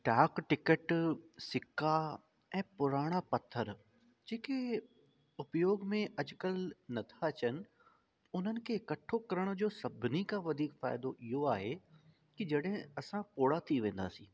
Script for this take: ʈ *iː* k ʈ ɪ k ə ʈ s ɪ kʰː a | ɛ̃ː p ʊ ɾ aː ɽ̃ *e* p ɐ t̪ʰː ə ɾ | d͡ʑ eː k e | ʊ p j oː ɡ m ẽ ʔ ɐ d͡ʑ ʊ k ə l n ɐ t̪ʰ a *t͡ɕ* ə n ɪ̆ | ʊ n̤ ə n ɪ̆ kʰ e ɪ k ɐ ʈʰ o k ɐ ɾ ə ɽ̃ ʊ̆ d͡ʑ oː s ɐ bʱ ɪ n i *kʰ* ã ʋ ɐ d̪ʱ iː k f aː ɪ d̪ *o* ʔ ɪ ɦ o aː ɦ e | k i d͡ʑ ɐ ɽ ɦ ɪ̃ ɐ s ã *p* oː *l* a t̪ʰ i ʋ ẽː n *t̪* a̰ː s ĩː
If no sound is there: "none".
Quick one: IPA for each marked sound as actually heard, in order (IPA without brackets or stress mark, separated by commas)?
aː, a, t͡ɕ, k, o, p, ɽ, d̪